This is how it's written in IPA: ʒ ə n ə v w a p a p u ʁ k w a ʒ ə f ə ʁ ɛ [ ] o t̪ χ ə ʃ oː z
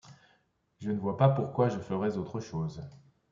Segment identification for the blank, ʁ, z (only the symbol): z